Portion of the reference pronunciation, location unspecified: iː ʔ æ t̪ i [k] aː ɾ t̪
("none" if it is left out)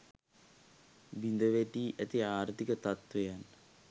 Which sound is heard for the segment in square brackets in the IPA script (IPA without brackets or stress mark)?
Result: none